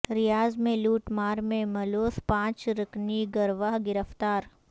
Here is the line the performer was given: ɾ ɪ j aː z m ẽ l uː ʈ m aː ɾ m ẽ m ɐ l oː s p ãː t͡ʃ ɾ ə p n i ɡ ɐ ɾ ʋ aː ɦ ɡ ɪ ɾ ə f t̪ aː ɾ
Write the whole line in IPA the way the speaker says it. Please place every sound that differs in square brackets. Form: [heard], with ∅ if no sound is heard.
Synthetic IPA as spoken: ɾ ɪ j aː z m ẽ l uː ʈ m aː ɾ m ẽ m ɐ l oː s p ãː t͡ʃ ɾ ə [k] n i ɡ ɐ ɾ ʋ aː ɦ ɡ ɪ ɾ ə f t̪ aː ɾ